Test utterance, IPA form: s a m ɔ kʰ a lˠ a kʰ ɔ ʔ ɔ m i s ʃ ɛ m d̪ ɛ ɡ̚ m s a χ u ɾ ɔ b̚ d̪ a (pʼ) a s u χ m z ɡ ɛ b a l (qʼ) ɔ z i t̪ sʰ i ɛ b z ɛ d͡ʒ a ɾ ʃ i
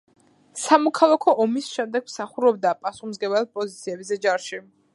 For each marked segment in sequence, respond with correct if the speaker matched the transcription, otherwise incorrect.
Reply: correct, incorrect: pʼ

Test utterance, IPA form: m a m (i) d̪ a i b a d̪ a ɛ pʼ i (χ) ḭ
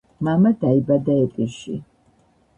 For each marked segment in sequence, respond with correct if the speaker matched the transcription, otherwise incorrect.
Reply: incorrect: a, incorrect: ʃ

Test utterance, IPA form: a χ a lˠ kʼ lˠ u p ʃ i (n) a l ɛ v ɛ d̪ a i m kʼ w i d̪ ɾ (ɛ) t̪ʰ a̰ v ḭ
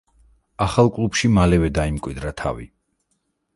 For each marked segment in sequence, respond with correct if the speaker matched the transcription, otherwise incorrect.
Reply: incorrect: m, incorrect: a

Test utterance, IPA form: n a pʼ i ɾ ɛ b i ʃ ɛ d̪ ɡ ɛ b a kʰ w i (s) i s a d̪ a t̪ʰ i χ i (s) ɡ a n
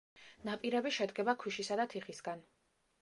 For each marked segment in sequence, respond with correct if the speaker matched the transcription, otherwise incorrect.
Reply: incorrect: ʃ, correct

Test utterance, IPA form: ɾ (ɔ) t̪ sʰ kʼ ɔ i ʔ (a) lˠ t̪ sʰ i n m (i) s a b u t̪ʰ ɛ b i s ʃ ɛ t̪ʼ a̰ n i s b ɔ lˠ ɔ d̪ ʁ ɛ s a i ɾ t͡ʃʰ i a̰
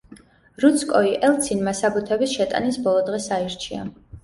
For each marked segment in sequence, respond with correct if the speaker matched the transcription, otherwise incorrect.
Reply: incorrect: u, incorrect: ɛ, incorrect: a

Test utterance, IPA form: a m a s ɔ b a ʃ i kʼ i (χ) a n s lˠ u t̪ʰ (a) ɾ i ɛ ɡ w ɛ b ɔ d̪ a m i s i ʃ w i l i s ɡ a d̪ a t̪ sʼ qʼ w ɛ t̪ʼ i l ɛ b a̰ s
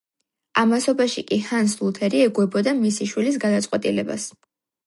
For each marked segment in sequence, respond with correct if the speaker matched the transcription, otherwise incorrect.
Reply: incorrect: h, incorrect: ɛ

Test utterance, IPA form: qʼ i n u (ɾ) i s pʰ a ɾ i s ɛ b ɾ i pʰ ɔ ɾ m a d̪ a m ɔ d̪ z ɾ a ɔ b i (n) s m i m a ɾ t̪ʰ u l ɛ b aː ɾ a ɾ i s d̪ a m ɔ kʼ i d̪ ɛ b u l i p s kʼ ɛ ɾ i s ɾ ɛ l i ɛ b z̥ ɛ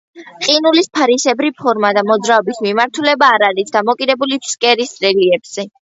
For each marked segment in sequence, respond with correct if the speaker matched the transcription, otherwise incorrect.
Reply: incorrect: l, incorrect: none

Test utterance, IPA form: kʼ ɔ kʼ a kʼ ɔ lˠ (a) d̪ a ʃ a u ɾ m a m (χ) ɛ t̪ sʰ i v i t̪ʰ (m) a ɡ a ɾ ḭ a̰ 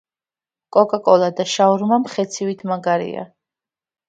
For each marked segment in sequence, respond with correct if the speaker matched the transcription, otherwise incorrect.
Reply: correct, correct, correct

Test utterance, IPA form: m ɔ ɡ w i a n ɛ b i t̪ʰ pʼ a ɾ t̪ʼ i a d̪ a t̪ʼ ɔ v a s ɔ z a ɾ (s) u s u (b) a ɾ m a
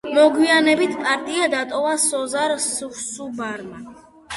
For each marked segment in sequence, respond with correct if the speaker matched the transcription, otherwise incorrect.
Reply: correct, correct

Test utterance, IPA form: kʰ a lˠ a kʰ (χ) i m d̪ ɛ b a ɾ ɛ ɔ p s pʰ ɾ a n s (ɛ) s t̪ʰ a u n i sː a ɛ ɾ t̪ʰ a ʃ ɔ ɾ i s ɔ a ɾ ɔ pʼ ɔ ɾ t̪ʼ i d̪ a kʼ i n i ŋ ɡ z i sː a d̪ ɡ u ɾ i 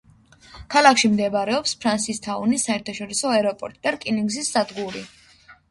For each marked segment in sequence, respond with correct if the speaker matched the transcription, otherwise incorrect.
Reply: incorrect: ʃ, incorrect: i

